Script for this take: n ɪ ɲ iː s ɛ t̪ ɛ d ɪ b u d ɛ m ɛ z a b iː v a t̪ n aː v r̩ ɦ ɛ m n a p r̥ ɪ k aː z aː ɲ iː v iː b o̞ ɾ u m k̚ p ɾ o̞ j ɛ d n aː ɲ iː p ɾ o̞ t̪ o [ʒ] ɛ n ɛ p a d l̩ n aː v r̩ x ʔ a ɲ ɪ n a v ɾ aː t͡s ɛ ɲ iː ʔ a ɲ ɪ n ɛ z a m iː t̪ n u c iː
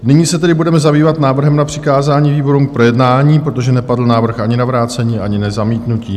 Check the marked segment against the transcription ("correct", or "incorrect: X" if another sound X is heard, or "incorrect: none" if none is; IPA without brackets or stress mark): correct